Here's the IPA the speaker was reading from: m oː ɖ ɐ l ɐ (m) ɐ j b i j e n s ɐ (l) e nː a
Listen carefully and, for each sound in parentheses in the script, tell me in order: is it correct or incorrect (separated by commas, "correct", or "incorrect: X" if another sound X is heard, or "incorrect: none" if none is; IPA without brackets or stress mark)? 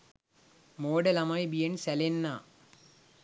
correct, correct